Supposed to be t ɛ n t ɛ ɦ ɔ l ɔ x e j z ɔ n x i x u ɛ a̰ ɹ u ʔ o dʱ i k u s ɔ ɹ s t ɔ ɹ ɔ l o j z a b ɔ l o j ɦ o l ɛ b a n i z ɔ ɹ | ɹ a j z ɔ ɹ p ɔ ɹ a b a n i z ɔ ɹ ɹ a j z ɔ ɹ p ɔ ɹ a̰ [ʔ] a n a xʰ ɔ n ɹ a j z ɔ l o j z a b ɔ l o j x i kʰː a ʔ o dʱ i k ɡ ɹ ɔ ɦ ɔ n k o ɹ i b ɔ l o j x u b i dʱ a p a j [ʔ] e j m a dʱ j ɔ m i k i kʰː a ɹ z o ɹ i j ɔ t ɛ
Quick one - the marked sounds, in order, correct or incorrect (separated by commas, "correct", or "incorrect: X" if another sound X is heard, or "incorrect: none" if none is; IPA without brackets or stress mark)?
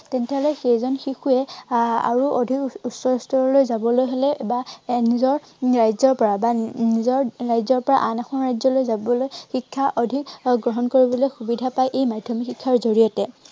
correct, correct